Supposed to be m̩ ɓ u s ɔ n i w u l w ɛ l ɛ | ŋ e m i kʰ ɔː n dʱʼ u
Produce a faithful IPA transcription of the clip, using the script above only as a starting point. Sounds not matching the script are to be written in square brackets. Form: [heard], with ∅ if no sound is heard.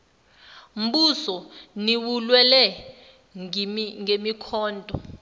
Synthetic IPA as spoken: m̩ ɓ u s ɔ n i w u l w ɛ l ɛ | ŋ e m i kʰ ɔː n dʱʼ [ɔ]

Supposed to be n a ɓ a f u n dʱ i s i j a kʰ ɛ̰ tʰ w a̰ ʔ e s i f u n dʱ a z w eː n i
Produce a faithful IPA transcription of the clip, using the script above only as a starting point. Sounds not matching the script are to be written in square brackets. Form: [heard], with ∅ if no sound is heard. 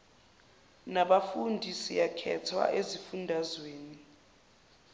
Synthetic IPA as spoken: n a ɓ a f u n dʱ i s i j a kʰ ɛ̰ tʰ w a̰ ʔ e [z] i f u n dʱ a z w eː n i

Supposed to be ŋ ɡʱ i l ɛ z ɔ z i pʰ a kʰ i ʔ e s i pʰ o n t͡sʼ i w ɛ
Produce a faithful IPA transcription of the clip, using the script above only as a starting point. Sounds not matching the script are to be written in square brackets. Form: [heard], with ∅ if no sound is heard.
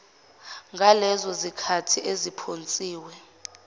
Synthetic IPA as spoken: ŋ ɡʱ [a] l ɛ z ɔ z i [kʰ] a [tʰ] i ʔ e [z] i pʰ o n t͡sʼ [iː] w ɛ

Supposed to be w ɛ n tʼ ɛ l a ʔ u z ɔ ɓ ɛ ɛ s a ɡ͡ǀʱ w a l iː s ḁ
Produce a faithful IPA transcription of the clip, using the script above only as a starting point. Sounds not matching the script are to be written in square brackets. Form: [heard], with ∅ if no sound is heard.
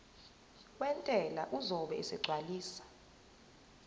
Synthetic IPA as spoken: w ɛ n tʼ ɛ l a ʔ u z ɔ ɓ ɛ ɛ s [ɛ] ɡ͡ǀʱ w a l iː s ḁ

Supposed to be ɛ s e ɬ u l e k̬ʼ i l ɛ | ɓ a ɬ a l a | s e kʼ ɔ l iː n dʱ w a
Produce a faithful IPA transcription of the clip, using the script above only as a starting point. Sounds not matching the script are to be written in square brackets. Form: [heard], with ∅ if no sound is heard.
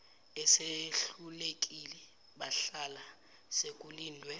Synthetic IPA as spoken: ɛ s e ɬ u l e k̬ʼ i l ɛ | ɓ a ɬ a l a | s e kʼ [u] l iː n dʱ w [ɛ]

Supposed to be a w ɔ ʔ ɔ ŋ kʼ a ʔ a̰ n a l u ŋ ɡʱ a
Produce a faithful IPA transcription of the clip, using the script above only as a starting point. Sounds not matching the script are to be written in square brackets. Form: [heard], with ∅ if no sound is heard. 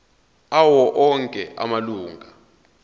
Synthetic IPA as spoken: a w ɔ ʔ ɔ ŋ kʼ [ɛ] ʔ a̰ [m] a l [uː] ŋ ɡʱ a

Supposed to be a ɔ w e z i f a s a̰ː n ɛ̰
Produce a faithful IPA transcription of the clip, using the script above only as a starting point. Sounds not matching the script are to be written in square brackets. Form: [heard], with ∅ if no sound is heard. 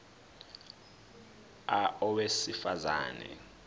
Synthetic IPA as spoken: a ɔ w e [s] i f a [z] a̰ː n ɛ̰

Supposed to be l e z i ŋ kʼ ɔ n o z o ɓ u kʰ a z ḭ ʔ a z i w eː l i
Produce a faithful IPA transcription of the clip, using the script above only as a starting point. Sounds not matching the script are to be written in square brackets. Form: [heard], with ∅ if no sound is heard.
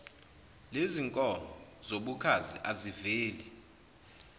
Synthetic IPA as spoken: l e z i ŋ kʼ ɔ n [ɔ] z o ɓ u kʰ a z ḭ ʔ a z i [v] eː l i

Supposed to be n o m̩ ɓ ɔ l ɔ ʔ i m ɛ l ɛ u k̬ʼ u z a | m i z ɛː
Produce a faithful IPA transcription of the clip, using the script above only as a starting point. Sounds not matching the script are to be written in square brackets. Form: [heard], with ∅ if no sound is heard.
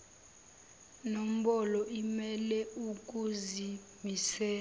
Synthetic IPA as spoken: n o m̩ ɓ ɔ l ɔ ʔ i m ɛ l ɛ u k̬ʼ u z [i] | m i [s] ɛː

